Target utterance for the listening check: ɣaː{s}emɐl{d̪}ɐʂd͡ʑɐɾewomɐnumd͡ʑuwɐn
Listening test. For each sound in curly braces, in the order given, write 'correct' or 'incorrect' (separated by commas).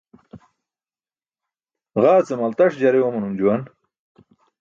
incorrect, incorrect